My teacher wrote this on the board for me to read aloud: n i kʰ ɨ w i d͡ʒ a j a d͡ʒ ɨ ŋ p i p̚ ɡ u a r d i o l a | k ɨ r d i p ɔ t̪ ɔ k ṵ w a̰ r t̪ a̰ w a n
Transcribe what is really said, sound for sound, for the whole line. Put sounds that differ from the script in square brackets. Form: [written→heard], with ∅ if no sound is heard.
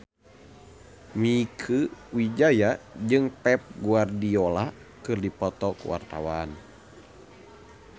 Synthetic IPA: [n→m] i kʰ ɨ w i d͡ʒ a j a d͡ʒ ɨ ŋ p [i→ɛ] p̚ ɡ u a r d i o l a | k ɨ r d i p ɔ t̪ ɔ k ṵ w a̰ r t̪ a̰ w a n